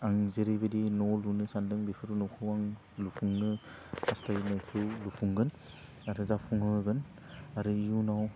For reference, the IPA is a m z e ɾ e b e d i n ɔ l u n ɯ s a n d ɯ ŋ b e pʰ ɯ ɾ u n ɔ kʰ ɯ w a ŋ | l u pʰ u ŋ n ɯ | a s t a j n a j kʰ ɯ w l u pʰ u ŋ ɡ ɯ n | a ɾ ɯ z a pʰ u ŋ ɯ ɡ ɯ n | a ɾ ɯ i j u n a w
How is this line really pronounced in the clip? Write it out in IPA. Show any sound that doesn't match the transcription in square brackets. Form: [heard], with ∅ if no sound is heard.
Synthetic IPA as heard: a [ŋ] z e ɾ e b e d i n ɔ l u n ɯ s a n d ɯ ŋ b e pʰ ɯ ɾ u n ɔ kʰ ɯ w a ŋ | l u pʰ u ŋ n ɯ | a s t a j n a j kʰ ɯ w l u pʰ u ŋ ɡ ɯ n | a ɾ ɯ z a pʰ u ŋ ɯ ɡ ɯ n | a ɾ ɯ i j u n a w